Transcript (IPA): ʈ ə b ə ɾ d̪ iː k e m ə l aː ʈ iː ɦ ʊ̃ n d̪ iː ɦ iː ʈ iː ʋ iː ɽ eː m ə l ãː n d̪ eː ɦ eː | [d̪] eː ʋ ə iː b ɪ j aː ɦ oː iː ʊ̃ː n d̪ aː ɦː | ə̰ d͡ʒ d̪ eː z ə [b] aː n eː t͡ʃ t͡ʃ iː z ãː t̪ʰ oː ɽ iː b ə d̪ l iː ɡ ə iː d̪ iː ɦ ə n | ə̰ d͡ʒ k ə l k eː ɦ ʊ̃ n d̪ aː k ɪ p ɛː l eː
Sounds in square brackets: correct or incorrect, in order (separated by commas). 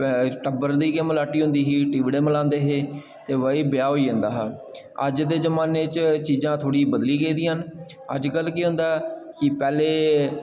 incorrect, incorrect